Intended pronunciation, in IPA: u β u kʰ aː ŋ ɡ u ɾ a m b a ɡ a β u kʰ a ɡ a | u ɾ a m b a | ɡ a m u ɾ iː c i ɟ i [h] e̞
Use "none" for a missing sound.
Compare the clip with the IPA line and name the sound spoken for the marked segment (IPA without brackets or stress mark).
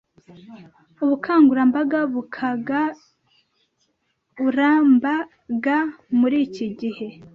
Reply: h